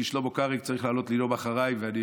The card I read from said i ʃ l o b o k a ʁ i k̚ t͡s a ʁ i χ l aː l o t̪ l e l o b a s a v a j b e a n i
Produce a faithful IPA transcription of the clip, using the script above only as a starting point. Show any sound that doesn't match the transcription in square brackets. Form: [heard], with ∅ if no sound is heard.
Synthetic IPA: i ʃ l o b o k a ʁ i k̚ t͡s a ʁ i χ l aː l o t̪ l [i] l o b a [χ] a [ʁ] a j [v] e a n i